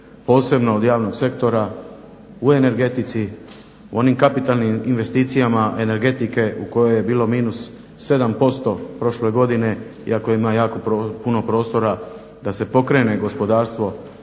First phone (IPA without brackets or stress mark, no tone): p